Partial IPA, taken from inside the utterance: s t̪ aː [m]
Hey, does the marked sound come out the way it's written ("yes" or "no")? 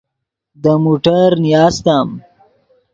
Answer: yes